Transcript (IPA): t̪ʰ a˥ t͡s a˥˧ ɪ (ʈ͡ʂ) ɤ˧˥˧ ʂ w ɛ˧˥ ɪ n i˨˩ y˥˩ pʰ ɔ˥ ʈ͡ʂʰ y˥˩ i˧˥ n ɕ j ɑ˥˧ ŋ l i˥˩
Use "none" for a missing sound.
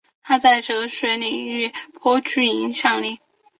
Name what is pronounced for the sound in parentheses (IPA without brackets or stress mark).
ʈ͡ʂ